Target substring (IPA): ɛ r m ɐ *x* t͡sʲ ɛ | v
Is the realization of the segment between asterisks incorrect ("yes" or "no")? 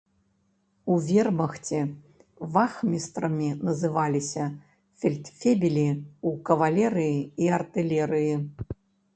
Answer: no